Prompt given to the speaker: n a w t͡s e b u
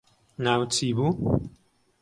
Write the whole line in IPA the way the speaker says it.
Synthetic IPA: n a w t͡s i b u